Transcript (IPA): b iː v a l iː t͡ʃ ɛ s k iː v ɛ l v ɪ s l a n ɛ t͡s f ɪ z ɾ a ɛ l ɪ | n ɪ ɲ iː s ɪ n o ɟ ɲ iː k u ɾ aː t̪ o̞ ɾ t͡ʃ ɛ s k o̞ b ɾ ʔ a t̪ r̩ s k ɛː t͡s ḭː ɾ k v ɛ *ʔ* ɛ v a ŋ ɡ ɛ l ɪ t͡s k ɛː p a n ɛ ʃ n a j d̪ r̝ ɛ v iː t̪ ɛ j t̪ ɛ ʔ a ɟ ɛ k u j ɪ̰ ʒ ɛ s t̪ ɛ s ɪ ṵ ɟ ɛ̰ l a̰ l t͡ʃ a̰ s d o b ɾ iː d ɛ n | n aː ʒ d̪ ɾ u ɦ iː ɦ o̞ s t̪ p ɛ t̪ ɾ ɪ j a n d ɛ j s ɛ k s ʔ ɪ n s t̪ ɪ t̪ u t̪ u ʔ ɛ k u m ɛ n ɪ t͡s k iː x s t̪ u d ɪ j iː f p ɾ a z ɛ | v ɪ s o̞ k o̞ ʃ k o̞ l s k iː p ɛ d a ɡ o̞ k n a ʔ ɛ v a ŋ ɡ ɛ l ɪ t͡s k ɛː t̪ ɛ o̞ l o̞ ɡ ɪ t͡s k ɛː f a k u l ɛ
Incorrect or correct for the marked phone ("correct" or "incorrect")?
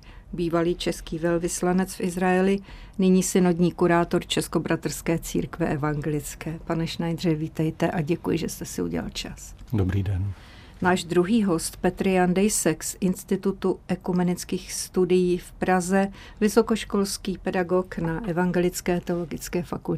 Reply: correct